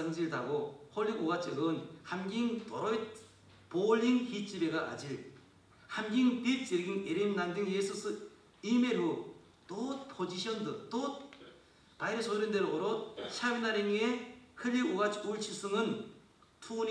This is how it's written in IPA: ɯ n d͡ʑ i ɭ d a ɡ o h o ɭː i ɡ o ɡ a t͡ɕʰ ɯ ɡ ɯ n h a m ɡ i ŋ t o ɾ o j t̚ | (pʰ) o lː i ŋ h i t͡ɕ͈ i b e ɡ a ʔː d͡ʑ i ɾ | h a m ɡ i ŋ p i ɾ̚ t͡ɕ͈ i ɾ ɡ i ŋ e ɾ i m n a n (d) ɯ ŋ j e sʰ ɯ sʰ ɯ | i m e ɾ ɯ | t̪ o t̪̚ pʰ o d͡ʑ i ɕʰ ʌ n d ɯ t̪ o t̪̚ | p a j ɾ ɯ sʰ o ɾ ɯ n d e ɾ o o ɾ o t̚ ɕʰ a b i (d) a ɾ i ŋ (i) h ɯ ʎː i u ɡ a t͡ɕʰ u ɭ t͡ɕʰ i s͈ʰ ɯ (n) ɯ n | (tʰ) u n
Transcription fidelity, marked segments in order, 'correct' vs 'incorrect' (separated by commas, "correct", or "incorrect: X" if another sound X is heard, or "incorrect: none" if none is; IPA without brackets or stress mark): incorrect: p, correct, incorrect: n, incorrect: e, incorrect: ŋ, correct